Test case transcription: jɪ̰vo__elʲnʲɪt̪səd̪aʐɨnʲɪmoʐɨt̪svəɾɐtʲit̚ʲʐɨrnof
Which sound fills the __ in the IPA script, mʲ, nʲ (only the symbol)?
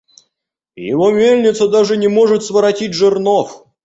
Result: mʲ